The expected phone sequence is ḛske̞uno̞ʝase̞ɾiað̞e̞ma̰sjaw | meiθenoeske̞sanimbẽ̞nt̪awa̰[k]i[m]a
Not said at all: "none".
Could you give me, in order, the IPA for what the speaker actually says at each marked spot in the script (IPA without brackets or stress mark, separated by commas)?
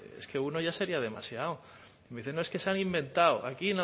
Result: k, n